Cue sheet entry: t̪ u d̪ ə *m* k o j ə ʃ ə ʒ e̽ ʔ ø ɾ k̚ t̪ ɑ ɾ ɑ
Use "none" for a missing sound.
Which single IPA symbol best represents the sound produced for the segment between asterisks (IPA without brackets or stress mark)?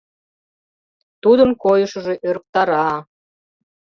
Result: n